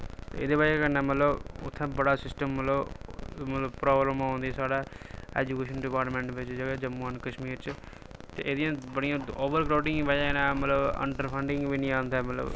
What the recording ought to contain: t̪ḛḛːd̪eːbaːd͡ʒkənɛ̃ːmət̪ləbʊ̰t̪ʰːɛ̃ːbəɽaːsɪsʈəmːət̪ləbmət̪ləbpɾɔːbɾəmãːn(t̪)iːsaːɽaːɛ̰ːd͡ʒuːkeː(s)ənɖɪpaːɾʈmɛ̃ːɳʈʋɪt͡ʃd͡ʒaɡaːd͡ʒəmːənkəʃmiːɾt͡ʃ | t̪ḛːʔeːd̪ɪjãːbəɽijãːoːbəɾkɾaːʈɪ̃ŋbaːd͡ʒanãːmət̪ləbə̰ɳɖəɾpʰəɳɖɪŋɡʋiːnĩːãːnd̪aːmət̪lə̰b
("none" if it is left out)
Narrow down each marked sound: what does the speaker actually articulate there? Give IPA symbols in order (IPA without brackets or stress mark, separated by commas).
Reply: d̪, ʃ